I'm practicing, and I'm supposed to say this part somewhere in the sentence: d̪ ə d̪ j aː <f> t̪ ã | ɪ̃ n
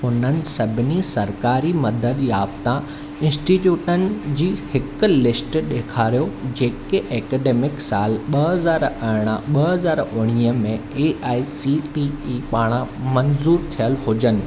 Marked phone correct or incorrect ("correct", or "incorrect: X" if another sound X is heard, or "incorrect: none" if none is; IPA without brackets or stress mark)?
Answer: correct